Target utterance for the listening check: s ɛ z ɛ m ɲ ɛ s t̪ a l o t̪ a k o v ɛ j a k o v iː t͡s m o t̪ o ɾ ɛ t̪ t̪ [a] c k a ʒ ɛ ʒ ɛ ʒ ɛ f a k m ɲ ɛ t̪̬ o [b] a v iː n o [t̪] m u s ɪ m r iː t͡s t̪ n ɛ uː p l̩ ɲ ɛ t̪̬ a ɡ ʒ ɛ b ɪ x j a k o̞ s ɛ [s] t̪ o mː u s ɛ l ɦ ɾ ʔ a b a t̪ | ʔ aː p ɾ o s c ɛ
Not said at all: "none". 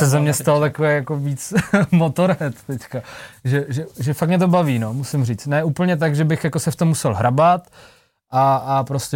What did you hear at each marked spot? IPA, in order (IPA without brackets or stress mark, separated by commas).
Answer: ɛ, b, none, f